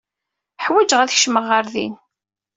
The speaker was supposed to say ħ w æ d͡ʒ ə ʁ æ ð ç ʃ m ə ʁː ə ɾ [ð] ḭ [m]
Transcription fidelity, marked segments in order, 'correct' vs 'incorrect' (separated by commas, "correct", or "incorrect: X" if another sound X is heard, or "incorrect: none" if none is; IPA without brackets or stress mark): correct, incorrect: n